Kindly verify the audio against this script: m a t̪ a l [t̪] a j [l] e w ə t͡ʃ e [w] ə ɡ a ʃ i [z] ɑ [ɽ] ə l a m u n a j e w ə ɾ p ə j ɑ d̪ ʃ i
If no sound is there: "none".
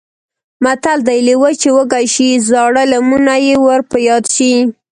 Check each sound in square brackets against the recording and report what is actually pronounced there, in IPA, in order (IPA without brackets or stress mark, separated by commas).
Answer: d̪, l, w, z, ɽ